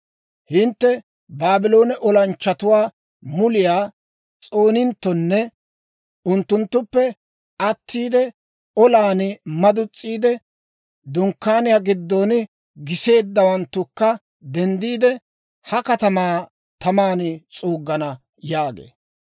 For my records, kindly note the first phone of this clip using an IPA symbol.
h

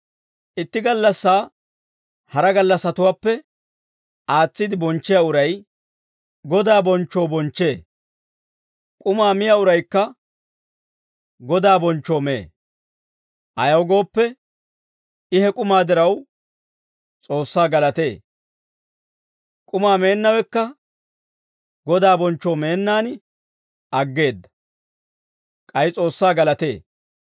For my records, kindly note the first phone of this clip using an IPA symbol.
ʔ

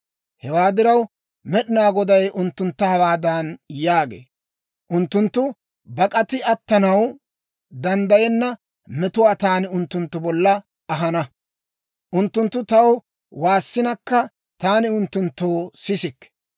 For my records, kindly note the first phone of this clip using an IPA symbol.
h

